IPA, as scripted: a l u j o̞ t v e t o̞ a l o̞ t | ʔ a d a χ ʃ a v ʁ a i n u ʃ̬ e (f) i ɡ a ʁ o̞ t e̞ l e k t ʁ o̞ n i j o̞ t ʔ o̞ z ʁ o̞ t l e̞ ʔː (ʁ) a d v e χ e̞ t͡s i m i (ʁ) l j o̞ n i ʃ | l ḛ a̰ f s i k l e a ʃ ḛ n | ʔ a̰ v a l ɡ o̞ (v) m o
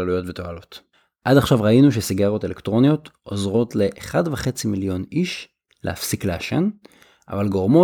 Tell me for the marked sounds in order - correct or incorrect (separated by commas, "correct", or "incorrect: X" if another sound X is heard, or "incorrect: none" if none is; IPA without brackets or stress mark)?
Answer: incorrect: s, incorrect: χ, incorrect: none, incorrect: ʁ